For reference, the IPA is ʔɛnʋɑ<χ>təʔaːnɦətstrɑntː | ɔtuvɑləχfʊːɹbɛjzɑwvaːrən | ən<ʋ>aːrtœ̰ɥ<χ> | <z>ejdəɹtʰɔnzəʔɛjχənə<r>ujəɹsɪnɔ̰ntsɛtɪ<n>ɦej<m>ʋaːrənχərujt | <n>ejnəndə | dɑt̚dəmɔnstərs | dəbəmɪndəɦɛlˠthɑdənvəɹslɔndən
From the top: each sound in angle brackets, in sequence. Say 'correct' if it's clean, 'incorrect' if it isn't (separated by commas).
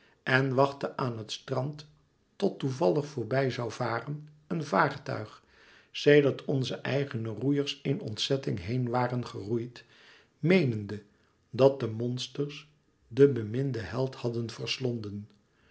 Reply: correct, incorrect, correct, incorrect, correct, incorrect, incorrect, incorrect